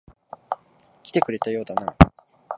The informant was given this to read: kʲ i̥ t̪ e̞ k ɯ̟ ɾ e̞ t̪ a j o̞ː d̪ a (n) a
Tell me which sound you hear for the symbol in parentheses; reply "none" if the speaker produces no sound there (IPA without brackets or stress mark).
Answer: n